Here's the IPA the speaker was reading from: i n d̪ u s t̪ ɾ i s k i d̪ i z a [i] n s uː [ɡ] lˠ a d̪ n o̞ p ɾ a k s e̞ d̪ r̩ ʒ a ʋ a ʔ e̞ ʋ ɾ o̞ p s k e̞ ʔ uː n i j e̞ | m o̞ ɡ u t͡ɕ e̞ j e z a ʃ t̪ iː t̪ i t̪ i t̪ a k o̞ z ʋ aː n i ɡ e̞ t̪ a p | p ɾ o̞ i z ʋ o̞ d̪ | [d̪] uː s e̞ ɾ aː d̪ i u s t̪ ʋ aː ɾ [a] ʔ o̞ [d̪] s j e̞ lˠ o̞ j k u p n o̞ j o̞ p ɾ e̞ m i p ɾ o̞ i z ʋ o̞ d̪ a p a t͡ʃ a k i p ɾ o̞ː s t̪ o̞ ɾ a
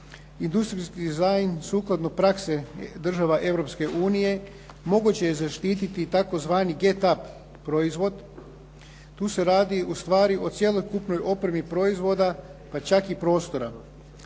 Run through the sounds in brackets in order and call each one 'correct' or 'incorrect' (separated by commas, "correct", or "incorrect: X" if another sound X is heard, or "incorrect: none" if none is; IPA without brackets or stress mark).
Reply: incorrect: j, incorrect: k, incorrect: t̪, incorrect: i, incorrect: t̪